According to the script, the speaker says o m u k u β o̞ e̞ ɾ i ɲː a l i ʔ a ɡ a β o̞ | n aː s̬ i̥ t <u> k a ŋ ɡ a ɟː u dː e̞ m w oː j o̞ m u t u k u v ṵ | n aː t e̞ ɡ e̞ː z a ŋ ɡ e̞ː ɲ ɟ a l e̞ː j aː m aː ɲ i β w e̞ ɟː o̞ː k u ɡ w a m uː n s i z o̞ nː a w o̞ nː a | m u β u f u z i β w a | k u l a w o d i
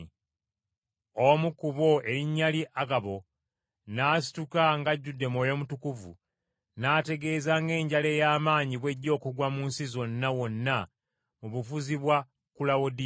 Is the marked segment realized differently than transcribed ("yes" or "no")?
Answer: no